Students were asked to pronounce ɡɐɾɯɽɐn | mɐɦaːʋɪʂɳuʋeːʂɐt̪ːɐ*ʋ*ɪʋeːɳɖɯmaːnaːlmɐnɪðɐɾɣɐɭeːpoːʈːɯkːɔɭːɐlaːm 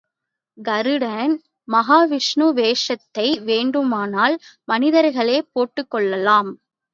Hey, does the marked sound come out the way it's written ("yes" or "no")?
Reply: no